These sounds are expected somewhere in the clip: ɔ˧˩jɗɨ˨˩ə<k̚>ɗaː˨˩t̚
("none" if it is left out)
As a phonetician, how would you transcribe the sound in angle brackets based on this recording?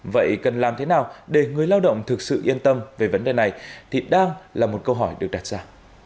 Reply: k̚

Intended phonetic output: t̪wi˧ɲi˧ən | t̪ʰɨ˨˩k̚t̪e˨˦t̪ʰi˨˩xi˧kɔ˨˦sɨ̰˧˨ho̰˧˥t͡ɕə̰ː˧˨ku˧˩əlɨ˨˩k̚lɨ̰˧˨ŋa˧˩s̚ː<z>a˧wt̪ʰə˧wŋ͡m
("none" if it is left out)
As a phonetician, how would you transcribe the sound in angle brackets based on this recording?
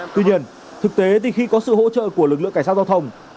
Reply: z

